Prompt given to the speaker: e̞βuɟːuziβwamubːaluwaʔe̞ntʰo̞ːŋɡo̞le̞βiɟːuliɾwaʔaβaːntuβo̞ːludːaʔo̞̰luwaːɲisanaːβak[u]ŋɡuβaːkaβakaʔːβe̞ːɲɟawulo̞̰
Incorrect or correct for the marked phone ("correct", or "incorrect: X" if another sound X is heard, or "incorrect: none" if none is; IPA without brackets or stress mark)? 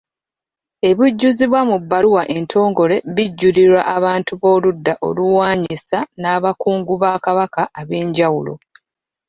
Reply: incorrect: uː